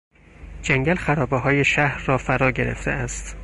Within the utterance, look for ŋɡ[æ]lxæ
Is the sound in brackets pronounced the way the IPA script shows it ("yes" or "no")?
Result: yes